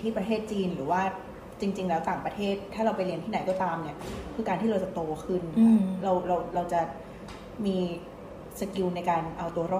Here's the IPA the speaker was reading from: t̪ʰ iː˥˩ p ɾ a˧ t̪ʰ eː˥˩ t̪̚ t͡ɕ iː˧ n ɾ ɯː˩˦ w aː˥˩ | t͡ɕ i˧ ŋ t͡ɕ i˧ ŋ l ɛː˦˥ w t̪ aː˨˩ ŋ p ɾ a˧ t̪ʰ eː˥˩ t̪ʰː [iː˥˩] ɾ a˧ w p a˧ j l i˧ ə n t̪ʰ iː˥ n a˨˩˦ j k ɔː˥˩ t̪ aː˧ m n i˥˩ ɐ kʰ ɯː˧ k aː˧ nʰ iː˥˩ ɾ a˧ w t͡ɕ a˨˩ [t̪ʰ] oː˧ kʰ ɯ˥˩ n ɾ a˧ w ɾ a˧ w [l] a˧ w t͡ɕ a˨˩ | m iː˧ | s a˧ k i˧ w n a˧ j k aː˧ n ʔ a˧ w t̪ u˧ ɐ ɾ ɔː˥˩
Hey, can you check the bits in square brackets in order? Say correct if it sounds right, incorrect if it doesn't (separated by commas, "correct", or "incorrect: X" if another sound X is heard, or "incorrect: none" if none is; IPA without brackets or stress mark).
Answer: incorrect: aː˥˩, incorrect: t̪, incorrect: ɾ